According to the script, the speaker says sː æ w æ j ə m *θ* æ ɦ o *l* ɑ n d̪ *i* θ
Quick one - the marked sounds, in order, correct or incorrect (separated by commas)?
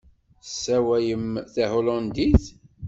correct, correct, correct